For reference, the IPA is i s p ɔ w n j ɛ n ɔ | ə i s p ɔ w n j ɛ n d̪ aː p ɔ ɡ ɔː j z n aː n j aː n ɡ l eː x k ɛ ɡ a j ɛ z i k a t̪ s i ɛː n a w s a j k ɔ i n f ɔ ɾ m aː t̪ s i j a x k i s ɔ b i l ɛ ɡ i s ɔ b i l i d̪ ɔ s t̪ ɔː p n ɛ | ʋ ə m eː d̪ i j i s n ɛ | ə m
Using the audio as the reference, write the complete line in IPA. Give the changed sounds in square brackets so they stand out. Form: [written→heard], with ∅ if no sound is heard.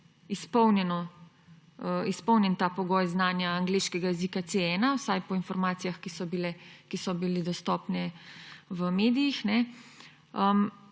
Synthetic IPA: i s p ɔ w n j ɛ n ɔ | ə i s p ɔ w n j ɛ n [d̪→t̪] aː p ɔ ɡ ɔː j z n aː n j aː [n→ŋ] ɡ l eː [x→ʃ] k ɛ ɡ a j ɛ z i k a t̪ s [i→e] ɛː n a w s a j [k→p] ɔ i n f ɔ ɾ m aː t̪ s i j a x k i s ɔ b i l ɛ [ɡ→k] i s ɔ b i l i d̪ ɔ s t̪ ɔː p n ɛ | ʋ ə m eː d̪ i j i [s→x] n ɛ | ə m